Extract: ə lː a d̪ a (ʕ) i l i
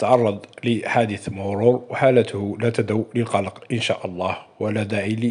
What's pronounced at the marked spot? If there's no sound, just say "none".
ʕ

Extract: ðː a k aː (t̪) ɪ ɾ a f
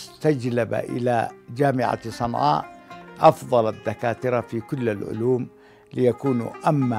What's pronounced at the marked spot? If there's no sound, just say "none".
t̪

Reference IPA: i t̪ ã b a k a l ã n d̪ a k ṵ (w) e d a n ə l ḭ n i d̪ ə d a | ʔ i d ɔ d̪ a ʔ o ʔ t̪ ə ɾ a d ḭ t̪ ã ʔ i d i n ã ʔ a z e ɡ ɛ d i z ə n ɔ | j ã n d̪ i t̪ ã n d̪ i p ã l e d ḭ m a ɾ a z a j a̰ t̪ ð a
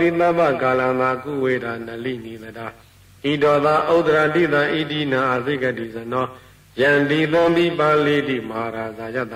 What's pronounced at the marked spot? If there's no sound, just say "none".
w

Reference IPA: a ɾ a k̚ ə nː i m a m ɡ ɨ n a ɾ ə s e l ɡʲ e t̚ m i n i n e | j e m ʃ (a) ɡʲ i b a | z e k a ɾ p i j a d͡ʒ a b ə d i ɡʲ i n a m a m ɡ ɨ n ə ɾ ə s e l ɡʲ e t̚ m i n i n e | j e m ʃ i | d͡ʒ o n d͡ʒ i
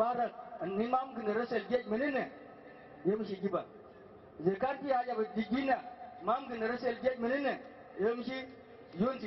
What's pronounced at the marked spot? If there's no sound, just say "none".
i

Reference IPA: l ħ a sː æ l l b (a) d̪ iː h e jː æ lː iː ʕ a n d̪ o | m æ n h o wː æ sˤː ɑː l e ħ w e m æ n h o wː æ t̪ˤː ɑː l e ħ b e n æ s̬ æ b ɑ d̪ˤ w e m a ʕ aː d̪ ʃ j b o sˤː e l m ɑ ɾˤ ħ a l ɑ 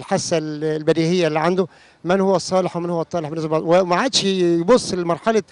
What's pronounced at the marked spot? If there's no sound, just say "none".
æ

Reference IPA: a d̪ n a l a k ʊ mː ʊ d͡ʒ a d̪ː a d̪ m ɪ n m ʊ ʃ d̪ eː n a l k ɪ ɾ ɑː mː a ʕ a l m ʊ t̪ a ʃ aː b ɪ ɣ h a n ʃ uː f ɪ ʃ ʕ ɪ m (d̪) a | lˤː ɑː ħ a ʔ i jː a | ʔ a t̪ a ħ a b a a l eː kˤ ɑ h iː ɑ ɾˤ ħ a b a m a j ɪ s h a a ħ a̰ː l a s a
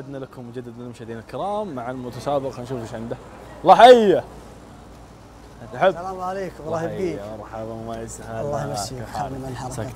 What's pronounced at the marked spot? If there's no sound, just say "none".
d̪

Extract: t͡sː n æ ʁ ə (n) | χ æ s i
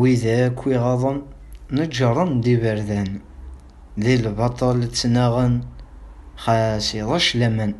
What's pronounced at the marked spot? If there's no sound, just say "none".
n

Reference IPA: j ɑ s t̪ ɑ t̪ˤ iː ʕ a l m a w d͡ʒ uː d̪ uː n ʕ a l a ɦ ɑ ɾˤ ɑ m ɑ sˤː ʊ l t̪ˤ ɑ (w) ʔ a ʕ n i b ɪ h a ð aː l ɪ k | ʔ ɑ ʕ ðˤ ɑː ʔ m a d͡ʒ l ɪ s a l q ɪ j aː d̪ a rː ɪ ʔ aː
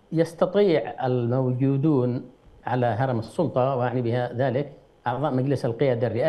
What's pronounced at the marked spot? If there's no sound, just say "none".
w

